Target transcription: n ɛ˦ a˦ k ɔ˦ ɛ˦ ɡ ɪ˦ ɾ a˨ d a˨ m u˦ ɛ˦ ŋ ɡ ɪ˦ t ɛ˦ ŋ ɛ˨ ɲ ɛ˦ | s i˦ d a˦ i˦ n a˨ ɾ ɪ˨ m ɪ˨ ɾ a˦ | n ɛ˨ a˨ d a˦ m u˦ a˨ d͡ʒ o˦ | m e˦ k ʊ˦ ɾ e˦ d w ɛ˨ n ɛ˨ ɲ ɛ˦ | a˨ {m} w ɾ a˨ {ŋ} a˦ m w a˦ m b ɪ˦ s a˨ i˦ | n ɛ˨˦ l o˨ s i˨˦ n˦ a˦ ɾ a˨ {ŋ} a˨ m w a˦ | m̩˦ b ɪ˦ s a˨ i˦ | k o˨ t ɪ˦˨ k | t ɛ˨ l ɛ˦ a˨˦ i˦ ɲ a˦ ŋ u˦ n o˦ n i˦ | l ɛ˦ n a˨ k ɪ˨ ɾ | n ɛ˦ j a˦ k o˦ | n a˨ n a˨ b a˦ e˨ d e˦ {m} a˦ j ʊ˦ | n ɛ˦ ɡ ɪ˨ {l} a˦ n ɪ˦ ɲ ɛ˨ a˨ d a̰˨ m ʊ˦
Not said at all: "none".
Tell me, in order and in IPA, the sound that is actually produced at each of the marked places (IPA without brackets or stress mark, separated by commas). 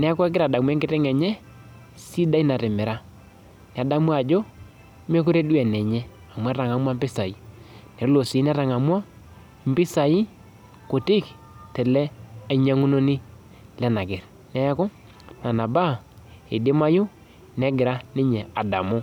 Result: m, ŋ, ŋ, m, ɾ